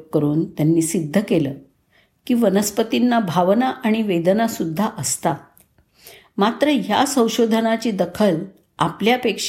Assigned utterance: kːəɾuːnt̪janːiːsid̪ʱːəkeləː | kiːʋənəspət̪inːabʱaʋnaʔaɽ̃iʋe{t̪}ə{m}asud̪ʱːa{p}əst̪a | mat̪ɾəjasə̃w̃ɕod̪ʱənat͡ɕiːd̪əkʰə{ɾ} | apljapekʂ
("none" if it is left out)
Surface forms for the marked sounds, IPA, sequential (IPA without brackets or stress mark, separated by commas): d̪, n, ʔ, l